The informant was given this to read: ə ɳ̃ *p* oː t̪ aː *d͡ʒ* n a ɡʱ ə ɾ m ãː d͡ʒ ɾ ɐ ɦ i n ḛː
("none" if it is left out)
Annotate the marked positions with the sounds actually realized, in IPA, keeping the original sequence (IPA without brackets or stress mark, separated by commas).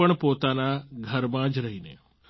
p, none